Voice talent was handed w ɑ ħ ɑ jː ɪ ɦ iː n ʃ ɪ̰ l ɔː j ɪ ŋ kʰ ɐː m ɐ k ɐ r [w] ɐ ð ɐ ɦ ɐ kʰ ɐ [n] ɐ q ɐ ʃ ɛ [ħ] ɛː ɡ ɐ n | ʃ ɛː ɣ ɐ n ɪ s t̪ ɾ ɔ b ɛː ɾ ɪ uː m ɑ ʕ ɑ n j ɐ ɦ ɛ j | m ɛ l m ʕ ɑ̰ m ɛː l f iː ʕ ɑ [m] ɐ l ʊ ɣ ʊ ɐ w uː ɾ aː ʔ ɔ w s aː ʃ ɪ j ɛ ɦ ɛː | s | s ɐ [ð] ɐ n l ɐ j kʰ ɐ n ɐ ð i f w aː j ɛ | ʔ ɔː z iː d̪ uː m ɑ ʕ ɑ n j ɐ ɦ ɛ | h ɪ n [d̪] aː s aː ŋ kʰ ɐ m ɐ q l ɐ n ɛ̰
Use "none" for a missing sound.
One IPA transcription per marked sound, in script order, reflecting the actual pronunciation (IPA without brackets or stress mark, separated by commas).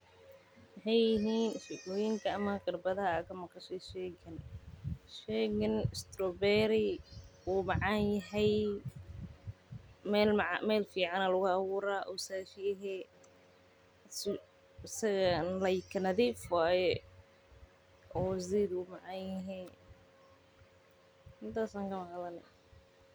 b, m, ʃ, n, ɣ, t̪